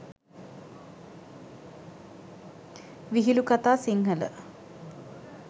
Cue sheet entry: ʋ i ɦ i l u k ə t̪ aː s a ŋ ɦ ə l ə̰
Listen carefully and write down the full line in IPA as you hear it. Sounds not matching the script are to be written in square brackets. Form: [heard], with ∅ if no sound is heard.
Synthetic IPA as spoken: ʋ i ɦ i l u k [a] t̪ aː s [i] ŋ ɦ ə l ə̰